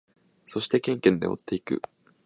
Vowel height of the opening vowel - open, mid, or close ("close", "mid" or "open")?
mid